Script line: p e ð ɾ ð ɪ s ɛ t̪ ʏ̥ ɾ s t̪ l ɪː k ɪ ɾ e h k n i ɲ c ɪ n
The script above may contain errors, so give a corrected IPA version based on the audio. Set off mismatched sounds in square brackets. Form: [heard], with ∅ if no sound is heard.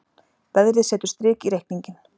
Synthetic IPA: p [ɛ] ð ɾ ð ɪ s [ɛː] t̪ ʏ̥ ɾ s t̪ [ɾ] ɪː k [i] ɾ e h k n i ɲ c ɪ n